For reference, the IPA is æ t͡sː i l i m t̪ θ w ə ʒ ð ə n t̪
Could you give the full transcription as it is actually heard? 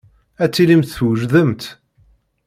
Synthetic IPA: æ t͡sː i l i m t̪ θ w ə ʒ ð ə m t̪